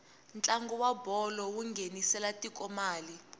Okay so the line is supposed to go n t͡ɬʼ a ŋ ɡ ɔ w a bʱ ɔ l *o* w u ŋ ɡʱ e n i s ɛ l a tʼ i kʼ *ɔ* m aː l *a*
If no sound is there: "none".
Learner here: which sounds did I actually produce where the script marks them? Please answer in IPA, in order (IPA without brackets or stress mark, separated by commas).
ɔ, ɔ, i